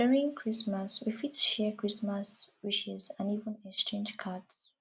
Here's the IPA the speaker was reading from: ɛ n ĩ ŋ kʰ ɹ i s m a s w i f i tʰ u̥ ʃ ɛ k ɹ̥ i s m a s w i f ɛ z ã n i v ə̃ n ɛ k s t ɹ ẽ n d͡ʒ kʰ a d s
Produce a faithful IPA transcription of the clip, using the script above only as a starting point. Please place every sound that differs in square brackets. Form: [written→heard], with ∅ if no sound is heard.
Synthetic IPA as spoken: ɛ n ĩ ŋ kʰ ɹ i s m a s w i f i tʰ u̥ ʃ ɛ k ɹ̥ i s m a s w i [f→ʃ] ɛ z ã n i v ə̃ n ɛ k s t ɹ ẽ n d͡ʒ kʰ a d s